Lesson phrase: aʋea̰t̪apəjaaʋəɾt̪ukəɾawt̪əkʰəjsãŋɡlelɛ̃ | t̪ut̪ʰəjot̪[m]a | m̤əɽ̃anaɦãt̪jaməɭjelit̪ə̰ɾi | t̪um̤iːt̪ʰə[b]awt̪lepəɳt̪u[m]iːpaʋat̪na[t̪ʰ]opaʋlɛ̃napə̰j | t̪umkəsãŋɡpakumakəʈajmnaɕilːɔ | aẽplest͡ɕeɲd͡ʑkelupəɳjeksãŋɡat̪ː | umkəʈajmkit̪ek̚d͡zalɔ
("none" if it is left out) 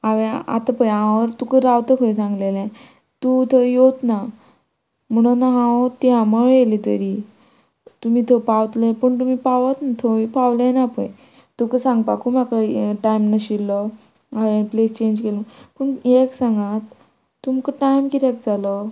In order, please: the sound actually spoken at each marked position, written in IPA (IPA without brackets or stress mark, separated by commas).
n, p, m, t̪ʰ